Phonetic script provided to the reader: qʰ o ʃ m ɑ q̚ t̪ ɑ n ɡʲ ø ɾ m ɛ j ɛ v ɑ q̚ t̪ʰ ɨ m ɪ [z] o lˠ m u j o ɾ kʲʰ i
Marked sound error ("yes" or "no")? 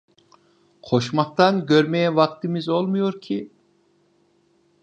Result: no